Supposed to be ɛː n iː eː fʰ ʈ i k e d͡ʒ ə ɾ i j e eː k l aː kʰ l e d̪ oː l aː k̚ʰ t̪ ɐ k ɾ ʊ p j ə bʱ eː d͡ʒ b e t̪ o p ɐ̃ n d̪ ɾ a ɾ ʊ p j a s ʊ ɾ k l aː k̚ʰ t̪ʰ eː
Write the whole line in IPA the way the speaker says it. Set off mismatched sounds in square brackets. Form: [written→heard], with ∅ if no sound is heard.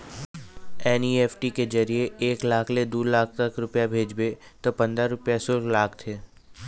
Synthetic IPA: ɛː n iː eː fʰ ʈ i k e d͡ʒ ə ɾ i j e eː k l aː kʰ l e d̪ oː l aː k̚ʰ t̪ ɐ k ɾ ʊ p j [ə→a] bʱ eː d͡ʒ b e t̪ o p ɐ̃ n d̪ ɾ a ɾ ʊ p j a s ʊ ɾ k l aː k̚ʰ t̪ʰ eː

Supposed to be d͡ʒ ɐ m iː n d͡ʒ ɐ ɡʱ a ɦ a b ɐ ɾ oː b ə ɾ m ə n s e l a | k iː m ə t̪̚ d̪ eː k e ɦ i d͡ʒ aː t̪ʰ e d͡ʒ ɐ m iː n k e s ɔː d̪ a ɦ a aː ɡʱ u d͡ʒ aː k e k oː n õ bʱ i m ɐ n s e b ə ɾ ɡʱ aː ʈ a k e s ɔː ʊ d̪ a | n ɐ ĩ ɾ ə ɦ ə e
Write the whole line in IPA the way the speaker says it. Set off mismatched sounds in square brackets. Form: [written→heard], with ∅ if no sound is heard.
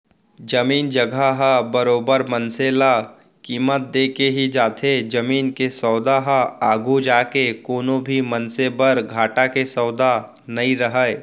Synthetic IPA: d͡ʒ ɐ m iː n d͡ʒ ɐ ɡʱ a ɦ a b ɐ ɾ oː b ə ɾ m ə n s e l a | k iː m ə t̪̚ d̪ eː k e ɦ i d͡ʒ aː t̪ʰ e d͡ʒ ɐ m iː n k e s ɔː d̪ a ɦ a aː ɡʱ u d͡ʒ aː k e k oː n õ bʱ i m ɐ n s e b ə ɾ ɡʱ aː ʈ a k e s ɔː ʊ d̪ a | n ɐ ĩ ɾ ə ɦ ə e

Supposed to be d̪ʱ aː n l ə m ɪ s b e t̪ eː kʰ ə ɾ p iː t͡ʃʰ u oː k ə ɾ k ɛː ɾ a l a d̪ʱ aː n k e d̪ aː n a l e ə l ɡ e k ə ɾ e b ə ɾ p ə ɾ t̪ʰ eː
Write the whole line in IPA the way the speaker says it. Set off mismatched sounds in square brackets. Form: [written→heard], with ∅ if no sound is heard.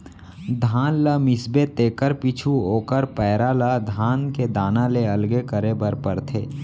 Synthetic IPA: d̪ʱ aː n l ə m ɪ s b e t̪ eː [kʰ→k] ə ɾ p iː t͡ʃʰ u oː k ə ɾ [k→p] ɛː ɾ a l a d̪ʱ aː n k e d̪ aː n a l e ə l ɡ e k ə ɾ e b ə ɾ p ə ɾ t̪ʰ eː

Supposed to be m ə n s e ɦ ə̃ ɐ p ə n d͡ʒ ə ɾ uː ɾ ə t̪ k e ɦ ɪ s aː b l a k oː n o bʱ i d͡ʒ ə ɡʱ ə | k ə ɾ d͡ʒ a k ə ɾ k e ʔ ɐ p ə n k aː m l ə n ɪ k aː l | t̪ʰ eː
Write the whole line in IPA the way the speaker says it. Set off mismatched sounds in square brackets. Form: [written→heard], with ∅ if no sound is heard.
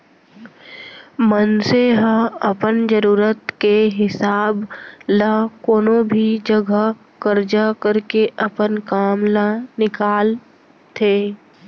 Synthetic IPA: m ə n s e ɦ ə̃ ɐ p ə n d͡ʒ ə ɾ uː ɾ ə t̪ k e ɦ ɪ s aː b l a k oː n o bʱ i d͡ʒ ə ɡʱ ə | k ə ɾ d͡ʒ a k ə ɾ k e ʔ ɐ p ə n k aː m l [ə→a] n ɪ k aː l | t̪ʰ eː

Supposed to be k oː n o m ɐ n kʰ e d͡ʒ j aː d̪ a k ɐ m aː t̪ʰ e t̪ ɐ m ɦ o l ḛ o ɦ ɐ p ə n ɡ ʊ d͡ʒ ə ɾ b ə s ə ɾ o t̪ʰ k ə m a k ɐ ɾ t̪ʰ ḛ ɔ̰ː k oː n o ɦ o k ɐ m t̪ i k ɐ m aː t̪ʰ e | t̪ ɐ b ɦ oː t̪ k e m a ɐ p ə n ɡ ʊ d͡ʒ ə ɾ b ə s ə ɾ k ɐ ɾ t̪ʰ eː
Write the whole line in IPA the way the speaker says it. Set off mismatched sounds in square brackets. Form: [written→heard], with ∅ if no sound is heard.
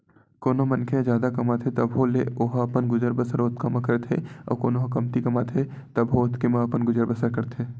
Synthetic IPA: k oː n o m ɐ n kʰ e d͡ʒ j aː d̪ a k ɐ m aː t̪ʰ e t̪ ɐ [m→b] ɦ o l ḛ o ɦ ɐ p ə n ɡ ʊ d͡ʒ ə ɾ b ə s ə ɾ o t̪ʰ k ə m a k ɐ ɾ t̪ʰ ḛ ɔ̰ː k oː n o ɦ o k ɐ m t̪ i k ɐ m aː t̪ʰ e | t̪ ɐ b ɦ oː t̪ k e m a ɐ p ə n ɡ ʊ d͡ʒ ə ɾ b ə s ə ɾ k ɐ ɾ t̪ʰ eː

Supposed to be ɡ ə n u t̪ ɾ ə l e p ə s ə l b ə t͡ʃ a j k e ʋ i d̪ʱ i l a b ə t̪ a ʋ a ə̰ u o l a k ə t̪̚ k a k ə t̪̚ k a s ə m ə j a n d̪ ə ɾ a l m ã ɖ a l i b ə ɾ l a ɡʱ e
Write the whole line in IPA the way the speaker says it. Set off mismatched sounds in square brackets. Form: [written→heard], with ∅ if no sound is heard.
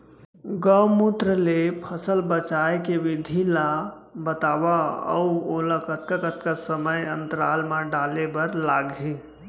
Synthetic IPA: ɡ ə [n→m] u t̪ ɾ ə l e [p→pʰ] ə s ə l b ə t͡ʃ a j k e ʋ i d̪ʱ i l a b ə t̪ a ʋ a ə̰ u o l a k ə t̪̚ k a k ə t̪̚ k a s ə m ə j [a→ə] n [d̪→t̪] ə ɾ a l m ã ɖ a l [i→e] b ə ɾ l a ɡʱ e

